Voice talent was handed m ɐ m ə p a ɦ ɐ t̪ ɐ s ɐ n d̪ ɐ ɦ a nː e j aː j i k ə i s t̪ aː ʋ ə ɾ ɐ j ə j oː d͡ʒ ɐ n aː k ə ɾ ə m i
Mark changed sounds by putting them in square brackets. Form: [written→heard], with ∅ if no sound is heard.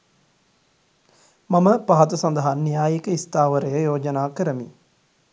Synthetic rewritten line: m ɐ m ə p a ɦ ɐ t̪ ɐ s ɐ n d̪ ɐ ɦ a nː [e→i] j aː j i k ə i s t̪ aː ʋ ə ɾ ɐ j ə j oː d͡ʒ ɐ n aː k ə ɾ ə m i